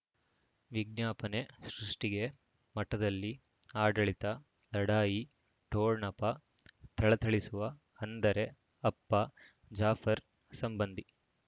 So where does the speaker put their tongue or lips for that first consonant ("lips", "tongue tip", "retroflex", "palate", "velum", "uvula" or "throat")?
lips